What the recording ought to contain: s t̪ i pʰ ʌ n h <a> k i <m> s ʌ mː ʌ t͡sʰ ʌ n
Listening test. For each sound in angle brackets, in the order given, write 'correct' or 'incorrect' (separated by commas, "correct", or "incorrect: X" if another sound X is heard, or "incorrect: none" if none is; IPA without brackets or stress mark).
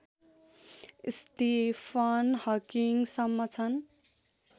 incorrect: ʌ, incorrect: ŋ